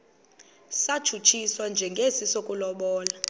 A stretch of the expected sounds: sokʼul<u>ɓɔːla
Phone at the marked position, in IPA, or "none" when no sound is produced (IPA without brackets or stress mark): ɔ